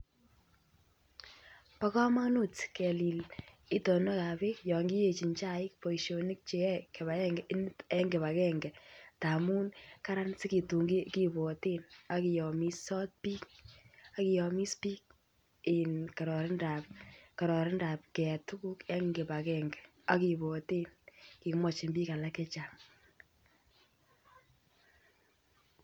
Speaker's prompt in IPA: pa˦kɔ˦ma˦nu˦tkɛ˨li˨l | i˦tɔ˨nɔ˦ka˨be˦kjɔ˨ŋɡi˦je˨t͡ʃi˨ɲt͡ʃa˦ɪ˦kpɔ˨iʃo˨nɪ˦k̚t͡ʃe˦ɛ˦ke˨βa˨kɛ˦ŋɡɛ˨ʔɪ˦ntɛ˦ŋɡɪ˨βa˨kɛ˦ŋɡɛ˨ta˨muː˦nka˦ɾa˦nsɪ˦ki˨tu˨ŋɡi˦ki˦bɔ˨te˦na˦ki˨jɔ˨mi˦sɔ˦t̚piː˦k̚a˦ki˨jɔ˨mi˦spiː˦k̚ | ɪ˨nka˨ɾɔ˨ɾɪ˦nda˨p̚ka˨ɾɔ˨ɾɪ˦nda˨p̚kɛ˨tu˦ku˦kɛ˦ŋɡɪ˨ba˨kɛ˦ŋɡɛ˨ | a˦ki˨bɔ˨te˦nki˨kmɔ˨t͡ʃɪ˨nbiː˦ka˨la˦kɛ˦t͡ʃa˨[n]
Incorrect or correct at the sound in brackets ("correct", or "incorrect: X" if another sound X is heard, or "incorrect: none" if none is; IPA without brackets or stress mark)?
incorrect: ŋ